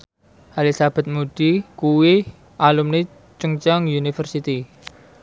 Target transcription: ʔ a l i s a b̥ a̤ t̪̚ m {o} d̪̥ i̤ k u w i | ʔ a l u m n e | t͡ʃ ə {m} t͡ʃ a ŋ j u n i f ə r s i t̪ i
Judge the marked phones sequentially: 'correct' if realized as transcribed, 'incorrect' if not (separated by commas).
incorrect, incorrect